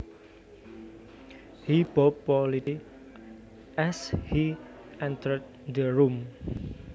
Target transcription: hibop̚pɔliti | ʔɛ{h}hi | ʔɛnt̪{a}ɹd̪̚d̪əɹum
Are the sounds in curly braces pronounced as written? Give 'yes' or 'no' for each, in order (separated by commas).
no, no